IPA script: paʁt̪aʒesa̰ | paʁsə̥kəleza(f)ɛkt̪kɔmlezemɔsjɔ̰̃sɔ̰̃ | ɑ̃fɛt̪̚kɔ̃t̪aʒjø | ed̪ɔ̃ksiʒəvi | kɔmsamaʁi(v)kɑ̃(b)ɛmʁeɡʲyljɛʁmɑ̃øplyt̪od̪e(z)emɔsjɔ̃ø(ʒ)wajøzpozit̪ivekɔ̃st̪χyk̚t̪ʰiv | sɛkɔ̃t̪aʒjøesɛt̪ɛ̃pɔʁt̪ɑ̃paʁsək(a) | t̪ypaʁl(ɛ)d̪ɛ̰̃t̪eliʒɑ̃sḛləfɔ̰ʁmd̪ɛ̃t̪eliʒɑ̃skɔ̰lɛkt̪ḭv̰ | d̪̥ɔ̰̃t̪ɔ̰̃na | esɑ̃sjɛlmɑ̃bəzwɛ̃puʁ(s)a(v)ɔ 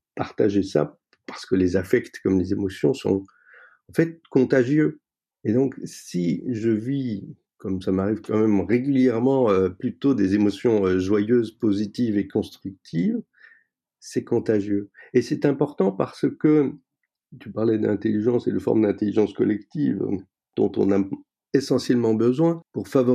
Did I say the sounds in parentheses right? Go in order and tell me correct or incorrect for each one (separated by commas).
correct, correct, incorrect, correct, correct, incorrect, correct, incorrect, correct